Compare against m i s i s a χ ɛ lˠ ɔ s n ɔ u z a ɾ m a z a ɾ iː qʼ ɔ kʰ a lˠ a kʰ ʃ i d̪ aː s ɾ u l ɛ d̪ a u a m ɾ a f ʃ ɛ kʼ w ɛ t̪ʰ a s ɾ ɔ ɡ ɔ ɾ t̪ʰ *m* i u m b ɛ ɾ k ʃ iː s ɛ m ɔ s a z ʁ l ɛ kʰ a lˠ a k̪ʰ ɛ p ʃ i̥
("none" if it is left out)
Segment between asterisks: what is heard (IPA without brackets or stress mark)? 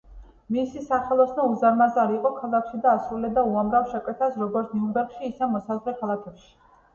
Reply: n